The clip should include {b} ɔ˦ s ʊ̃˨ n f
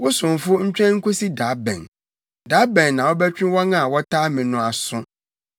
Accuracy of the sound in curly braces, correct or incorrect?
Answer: incorrect